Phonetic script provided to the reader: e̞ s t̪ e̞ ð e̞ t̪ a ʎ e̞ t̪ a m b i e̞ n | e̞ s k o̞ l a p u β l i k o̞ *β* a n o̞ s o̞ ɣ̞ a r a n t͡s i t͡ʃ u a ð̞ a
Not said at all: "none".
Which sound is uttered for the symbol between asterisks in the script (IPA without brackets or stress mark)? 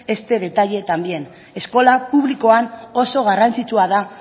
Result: none